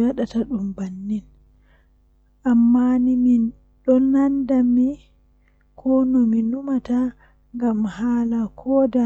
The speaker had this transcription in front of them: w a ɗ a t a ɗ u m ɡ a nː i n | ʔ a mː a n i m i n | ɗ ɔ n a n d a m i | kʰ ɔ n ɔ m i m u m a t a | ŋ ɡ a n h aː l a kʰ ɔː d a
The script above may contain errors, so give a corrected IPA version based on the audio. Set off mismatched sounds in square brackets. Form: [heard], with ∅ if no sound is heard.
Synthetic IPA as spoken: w a ɗ a t a ɗ u m [b] a nː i n | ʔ a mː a n i m i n | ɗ ɔ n a n d a m i | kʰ ɔ n ɔ m i [n] u m a t a | ŋ ɡ a [m] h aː l a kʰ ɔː d a